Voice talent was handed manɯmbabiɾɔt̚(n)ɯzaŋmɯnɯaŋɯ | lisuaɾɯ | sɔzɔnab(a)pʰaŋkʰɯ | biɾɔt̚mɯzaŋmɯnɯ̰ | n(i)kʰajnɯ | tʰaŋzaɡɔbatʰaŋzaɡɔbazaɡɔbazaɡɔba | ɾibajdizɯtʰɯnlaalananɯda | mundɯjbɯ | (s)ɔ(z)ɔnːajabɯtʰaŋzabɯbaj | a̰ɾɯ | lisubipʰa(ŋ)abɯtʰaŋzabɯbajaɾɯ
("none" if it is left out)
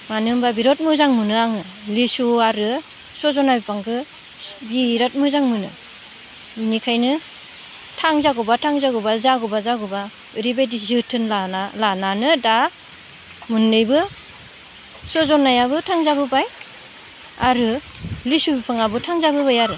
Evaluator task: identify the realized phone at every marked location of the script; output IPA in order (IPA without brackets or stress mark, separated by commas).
m, i, i, s, z, ŋ